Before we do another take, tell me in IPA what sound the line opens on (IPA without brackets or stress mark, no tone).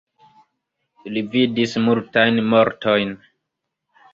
l